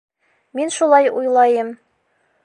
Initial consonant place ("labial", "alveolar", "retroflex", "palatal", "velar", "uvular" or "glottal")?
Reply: labial